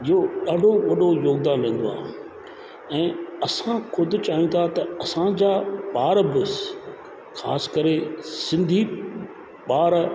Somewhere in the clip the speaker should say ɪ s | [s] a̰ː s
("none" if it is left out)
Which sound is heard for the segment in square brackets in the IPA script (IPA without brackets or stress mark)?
x